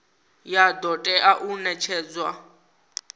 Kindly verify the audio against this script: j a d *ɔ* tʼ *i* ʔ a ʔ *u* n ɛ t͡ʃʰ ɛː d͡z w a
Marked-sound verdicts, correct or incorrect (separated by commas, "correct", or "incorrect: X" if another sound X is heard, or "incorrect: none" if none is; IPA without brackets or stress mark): correct, incorrect: ɛ, correct